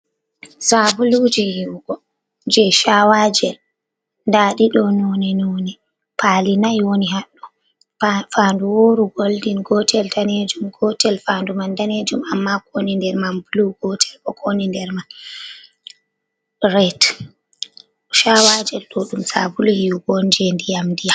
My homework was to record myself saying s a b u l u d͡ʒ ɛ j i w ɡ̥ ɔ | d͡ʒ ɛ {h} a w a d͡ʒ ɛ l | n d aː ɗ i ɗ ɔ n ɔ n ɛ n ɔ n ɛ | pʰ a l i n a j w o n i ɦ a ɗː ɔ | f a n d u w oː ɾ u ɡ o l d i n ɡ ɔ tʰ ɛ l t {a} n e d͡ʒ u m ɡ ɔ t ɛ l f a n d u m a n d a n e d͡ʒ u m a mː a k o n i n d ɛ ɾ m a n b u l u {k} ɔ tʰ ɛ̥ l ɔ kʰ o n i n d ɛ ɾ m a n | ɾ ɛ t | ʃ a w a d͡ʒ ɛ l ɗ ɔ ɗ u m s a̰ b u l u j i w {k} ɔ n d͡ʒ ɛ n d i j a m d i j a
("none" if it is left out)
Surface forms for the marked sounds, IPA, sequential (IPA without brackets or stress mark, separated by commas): ʃ, a, ɡ, ɡ